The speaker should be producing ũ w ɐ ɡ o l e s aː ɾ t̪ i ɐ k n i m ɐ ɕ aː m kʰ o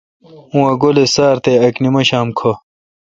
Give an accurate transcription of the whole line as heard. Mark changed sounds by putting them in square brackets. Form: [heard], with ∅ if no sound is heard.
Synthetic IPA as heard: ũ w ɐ ɡ o l e s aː ɾ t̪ [e] ɐ k n i m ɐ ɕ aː m kʰ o